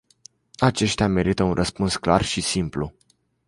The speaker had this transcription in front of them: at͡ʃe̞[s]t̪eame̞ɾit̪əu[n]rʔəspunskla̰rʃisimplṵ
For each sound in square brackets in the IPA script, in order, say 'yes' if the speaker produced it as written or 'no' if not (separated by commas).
no, yes